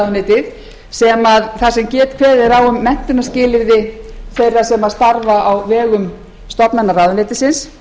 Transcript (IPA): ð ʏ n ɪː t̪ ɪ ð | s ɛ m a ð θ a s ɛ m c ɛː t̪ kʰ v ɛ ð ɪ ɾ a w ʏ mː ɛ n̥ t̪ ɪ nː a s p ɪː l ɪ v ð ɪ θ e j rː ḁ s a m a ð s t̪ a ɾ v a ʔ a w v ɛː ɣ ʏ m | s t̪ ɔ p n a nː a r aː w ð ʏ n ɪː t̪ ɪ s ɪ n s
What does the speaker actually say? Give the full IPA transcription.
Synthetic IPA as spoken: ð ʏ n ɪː t̪ ɪ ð | s ɛ m a ð θ a s ɛ m c ɛː t̪ kʰ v ɛː ð ɪ ɾ a w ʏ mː ɛ n̥ t̪ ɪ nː a s c ɪː l ɪ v ð ɪ θ e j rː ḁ s ɛ m a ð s t̪ a ɾ v a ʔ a w v ɛː ɣ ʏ m | s t̪ ɔ p n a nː a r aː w ð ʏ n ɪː t̪ ɪ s ɪ n s